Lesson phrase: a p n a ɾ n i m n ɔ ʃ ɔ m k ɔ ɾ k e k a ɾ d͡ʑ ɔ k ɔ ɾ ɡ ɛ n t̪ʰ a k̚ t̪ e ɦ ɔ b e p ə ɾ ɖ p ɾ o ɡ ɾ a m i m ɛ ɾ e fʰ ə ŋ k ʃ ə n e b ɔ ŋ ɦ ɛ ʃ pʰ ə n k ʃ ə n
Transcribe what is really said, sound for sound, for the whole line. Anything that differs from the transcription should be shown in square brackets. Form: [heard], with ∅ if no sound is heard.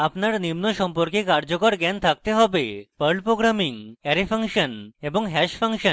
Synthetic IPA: a p n a ɾ n i m n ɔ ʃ ɔ m [p] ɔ ɾ k e k a ɾ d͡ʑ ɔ k ɔ ɾ ɡ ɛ n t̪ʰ a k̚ t̪ e ɦ ɔ b e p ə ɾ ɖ p ɾ o ɡ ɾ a m i [ŋ] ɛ ɾ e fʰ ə ŋ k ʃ ə n e b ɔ ŋ ɦ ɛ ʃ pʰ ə [ŋ] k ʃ ə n

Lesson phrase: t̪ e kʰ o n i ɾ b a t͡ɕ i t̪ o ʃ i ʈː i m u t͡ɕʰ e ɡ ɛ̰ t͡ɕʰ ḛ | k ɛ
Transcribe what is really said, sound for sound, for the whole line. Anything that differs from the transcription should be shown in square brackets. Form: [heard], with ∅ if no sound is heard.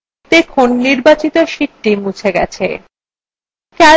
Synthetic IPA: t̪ e kʰ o [nː] i ɾ b a t͡ɕ i t̪ o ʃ i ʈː i m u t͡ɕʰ e ɡ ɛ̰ t͡ɕʰ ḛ | k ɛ

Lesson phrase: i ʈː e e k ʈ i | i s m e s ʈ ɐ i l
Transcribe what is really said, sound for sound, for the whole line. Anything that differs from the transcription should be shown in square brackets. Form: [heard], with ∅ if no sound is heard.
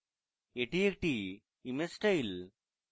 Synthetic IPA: [e] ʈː [i] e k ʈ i | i [∅] m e s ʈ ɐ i l

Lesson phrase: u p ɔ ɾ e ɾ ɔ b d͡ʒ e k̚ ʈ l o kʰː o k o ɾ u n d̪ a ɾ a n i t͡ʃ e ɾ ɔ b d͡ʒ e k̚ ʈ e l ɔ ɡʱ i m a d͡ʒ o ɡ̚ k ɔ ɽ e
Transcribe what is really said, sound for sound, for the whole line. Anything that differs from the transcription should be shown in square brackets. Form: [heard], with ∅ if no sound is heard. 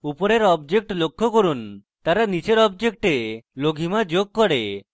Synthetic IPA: u p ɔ ɾ e ɾ ɔ b d͡ʒ e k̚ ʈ l o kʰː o k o ɾ u n [t̪] a ɾ a n i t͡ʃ e ɾ ɔ b d͡ʒ e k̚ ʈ e l [o] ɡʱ i m a d͡ʒ o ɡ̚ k ɔ ɽ e

